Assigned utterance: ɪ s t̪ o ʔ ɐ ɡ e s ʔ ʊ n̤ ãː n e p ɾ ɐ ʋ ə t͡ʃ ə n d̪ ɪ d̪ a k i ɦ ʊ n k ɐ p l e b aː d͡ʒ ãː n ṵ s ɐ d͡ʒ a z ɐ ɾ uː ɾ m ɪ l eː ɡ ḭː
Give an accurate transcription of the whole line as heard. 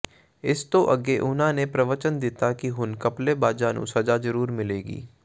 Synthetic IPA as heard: ɪ s t̪ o ʔ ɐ ɡ e ʔ ʊ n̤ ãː n e p ɾ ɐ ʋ ə t͡ʃ ə n d̪ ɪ t̪ a k i ɦ ʊ n k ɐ p l e b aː d͡ʒ aː n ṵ s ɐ d͡ʒ a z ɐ ɾ uː ɾ m ɪ l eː ɡ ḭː